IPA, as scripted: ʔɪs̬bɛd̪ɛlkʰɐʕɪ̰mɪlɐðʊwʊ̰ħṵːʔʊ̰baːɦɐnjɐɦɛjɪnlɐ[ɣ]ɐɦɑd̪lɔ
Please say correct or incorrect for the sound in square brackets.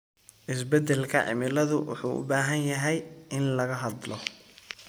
correct